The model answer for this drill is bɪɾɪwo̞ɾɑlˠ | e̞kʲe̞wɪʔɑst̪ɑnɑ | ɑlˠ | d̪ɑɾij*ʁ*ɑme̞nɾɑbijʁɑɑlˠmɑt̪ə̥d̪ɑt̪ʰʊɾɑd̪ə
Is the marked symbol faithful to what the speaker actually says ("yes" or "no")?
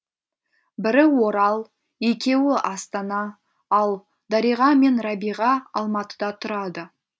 yes